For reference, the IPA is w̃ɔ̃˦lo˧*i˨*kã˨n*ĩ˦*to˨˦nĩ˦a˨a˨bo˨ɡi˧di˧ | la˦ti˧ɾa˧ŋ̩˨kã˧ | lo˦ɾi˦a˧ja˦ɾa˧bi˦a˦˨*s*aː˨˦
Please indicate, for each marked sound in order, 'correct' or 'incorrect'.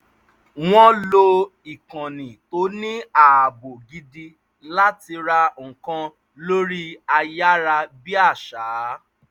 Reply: correct, incorrect: ĩ˨, incorrect: ʃ

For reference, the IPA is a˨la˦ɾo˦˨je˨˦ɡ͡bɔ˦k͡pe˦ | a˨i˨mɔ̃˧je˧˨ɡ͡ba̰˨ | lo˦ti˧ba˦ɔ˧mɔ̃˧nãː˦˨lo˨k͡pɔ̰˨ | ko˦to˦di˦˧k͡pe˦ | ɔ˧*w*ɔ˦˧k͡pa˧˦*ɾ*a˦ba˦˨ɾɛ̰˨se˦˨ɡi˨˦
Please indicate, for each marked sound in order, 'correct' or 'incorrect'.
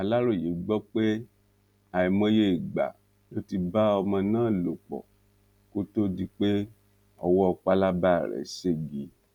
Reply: correct, incorrect: l

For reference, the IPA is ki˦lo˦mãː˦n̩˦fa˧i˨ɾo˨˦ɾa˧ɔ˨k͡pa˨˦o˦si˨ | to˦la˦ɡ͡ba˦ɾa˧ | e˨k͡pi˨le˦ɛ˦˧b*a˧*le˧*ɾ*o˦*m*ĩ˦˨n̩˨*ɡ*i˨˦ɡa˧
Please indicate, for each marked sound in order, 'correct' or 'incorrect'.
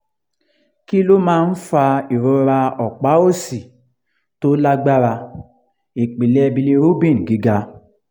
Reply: incorrect: i˧, correct, incorrect: b, correct

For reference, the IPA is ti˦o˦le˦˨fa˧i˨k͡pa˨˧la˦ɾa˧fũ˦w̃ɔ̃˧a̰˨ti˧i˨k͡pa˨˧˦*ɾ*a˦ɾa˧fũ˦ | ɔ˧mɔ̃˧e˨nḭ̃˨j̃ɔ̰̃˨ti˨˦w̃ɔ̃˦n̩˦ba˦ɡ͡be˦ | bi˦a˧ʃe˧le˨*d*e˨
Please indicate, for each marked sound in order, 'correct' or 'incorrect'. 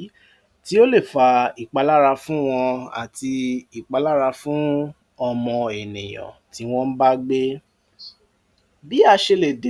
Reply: incorrect: l, correct

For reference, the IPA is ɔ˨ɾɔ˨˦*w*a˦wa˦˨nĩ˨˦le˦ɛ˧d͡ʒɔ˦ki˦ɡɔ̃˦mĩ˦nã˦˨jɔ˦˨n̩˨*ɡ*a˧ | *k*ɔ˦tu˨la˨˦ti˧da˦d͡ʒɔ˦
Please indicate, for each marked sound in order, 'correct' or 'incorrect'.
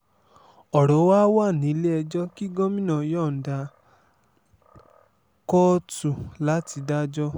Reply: correct, incorrect: d, correct

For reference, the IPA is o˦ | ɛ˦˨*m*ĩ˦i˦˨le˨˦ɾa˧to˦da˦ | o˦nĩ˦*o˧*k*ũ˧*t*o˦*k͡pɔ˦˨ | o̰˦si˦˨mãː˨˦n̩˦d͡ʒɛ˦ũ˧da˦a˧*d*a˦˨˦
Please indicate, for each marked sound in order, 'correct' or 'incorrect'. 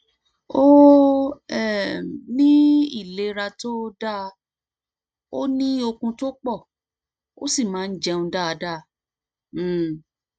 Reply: incorrect: n, correct, correct, correct, correct

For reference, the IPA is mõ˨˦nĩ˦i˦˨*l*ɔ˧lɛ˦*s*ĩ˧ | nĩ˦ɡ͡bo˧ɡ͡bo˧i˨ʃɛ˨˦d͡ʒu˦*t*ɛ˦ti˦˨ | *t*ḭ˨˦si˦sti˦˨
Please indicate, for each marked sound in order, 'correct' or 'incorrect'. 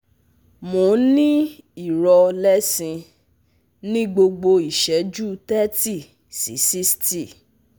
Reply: incorrect: ɾ, correct, correct, incorrect: s

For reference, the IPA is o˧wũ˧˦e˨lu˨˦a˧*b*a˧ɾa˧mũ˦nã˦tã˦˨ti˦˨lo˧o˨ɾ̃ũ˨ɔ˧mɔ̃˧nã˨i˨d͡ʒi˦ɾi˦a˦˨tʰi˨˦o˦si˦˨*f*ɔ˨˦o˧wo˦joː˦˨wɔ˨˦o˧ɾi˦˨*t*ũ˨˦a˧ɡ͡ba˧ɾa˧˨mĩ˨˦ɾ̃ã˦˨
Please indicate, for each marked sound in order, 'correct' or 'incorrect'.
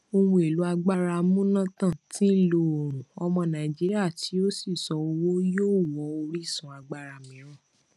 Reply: incorrect: ɡ͡b, incorrect: s, incorrect: s

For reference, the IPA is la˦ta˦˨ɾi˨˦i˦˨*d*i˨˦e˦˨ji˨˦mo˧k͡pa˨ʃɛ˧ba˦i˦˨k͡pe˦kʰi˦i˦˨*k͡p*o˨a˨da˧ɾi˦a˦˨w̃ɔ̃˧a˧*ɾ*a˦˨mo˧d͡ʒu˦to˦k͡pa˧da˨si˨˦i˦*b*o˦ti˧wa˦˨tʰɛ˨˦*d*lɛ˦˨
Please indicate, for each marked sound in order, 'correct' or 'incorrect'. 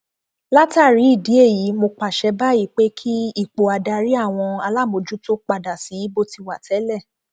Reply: correct, correct, incorrect: l, correct, incorrect: none

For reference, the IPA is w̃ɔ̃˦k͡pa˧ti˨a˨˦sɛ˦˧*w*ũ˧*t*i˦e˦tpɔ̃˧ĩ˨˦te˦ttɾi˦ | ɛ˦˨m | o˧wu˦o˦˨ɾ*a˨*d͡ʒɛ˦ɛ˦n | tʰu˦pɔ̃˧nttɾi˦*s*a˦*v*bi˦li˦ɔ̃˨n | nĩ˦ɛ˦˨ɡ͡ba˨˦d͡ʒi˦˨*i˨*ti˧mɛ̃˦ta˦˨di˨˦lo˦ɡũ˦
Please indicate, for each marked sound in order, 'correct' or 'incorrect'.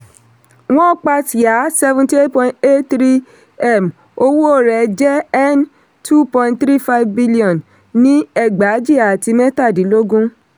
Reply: incorrect: v, correct, incorrect: ɛ˨, incorrect: f, correct, incorrect: a˨

